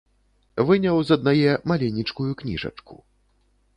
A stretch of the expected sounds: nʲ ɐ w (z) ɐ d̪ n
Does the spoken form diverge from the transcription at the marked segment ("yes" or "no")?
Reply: no